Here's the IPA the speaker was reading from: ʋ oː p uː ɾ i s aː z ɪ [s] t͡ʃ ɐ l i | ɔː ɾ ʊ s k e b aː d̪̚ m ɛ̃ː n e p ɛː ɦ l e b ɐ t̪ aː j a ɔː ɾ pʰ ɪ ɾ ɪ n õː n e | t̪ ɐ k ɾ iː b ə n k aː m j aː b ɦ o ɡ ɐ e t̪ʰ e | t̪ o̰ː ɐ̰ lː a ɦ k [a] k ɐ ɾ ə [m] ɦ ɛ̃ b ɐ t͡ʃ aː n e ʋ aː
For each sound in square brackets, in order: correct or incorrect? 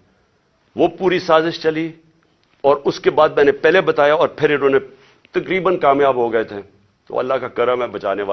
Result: incorrect: ʃ, correct, correct

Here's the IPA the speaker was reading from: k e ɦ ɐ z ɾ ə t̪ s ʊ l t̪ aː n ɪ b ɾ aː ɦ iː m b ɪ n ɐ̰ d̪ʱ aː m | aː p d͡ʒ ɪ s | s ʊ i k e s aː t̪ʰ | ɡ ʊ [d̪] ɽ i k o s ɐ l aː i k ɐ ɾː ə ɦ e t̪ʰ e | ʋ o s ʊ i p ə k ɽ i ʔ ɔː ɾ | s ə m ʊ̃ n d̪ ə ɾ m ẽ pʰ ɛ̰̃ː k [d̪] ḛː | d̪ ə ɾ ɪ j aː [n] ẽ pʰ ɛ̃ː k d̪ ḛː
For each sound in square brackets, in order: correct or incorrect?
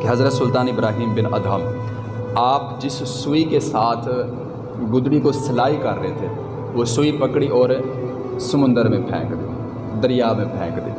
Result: correct, correct, incorrect: m

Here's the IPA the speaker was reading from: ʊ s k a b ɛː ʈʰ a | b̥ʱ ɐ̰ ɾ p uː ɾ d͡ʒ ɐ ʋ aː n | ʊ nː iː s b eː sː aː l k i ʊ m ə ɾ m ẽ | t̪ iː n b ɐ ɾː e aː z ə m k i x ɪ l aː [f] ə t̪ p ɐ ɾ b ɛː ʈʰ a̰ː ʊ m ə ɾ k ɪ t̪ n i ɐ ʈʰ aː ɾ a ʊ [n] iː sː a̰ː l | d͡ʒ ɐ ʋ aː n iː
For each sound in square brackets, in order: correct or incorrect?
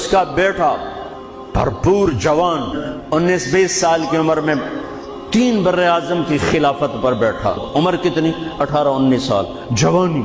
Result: correct, incorrect: nː

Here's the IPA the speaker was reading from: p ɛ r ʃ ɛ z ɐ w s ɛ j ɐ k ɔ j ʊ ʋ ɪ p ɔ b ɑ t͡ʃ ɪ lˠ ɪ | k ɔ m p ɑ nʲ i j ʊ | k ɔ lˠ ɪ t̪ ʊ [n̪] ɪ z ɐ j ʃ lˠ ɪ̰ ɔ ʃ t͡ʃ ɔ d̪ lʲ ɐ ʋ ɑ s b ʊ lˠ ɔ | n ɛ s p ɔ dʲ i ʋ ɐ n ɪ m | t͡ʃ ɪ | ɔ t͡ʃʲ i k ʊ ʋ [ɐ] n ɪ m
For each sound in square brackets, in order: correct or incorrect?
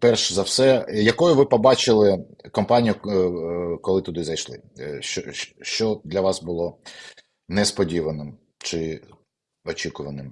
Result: incorrect: d̪, correct

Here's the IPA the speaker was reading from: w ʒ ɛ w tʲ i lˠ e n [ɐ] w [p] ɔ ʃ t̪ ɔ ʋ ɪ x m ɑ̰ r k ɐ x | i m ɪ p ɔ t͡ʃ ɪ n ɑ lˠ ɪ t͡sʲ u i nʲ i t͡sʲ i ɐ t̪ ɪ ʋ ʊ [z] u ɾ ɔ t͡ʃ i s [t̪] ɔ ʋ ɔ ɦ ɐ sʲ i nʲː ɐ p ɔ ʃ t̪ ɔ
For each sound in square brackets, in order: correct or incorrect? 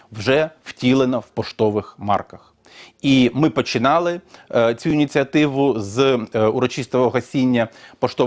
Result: correct, correct, correct, correct

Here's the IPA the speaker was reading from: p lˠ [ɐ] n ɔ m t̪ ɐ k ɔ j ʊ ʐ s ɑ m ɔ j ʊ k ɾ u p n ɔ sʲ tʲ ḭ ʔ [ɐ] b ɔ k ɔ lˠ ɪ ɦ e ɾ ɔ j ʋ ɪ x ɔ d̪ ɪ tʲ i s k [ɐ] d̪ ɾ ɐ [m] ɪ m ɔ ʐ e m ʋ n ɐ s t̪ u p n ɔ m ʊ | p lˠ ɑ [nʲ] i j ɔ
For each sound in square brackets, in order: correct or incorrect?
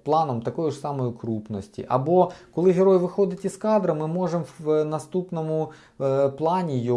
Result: incorrect: ɑ, correct, incorrect: ɑ, correct, correct

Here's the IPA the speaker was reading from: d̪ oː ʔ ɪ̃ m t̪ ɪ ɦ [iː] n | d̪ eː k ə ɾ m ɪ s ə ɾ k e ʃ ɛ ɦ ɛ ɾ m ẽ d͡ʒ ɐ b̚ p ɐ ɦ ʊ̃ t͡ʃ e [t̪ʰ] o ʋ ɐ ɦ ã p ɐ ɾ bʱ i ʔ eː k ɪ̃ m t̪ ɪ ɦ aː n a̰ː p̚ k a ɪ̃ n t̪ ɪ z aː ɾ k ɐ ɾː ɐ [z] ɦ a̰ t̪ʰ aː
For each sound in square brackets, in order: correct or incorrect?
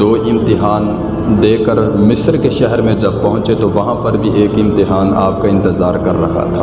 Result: incorrect: aː, incorrect: t̪, incorrect: none

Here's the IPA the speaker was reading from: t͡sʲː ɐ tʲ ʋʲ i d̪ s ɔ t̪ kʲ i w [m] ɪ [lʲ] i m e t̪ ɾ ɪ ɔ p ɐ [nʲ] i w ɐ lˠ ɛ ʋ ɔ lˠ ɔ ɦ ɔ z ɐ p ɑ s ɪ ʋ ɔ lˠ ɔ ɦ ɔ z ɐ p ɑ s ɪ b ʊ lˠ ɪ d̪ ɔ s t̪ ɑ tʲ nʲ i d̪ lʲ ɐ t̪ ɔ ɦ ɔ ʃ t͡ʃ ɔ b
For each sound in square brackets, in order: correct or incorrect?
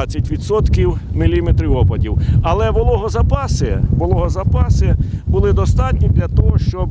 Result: correct, correct, incorrect: dʲ

